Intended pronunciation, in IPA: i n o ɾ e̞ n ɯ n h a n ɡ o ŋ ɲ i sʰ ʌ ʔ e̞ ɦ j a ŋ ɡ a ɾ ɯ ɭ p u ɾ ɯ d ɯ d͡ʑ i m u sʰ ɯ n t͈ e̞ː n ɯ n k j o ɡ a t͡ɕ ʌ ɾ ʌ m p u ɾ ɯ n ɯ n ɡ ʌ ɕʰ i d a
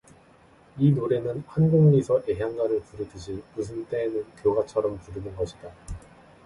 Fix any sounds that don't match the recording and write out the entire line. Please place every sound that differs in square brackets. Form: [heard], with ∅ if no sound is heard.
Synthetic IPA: i n o ɾ e̞ n ɯ n h a n ɡ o ŋ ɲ i sʰ ʌ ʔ e̞ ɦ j a ŋ ɡ a ɾ ɯ ɭ p u ɾ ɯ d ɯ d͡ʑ i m u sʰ ɯ n t͈ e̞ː n ɯ n k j o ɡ a [t͡ɕʰ] ʌ ɾ ʌ m p u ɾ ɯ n ɯ n ɡ ʌ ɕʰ i d a